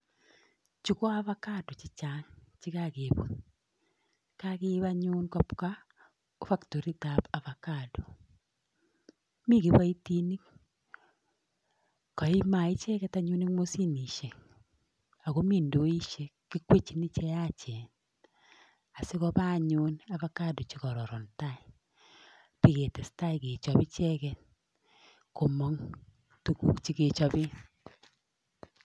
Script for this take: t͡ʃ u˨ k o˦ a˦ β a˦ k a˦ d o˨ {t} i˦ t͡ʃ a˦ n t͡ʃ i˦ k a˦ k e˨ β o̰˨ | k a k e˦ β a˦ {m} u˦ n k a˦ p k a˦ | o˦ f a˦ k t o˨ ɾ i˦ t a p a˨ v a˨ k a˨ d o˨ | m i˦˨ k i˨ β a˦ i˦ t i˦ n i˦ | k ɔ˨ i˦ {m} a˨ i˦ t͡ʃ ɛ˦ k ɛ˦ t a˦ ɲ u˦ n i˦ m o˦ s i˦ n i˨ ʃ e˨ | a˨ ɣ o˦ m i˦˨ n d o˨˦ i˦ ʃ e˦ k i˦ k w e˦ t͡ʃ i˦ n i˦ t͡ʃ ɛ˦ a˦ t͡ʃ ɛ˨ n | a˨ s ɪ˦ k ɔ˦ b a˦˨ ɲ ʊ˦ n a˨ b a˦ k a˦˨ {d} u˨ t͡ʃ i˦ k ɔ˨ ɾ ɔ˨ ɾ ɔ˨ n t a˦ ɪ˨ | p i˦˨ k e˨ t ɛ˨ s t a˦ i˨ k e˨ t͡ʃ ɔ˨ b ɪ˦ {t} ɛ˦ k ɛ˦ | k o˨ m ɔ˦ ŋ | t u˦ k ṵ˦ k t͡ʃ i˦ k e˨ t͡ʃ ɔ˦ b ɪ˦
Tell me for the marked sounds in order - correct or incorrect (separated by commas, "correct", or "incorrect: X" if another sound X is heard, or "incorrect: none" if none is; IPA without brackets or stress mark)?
incorrect: t͡ʃ, incorrect: ɲ, correct, correct, incorrect: t͡ʃ